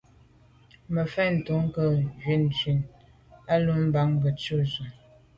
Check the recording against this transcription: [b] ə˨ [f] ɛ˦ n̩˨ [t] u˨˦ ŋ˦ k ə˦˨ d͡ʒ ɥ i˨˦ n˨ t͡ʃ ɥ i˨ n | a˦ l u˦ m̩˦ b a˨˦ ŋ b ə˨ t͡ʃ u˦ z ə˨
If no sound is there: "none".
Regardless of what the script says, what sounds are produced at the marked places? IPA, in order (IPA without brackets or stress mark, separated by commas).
m, f, t